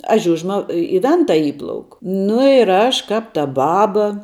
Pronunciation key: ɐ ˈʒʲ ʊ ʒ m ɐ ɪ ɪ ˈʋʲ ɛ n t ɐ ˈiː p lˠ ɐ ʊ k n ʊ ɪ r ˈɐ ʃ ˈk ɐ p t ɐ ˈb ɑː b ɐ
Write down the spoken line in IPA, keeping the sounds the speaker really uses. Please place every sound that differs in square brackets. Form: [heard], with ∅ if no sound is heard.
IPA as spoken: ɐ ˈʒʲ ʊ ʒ m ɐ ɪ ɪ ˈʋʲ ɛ n t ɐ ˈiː p lˠ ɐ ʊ k n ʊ ɪ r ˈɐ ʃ ˈk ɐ p t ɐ ˈb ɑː b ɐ